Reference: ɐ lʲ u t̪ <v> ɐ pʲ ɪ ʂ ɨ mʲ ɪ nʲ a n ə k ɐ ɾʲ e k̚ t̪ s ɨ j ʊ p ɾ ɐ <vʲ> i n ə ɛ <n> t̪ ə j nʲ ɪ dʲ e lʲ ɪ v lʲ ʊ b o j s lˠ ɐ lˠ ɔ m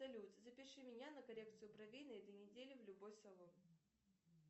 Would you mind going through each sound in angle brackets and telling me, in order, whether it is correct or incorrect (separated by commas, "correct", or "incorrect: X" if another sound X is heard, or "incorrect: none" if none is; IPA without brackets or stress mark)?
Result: incorrect: z, correct, incorrect: none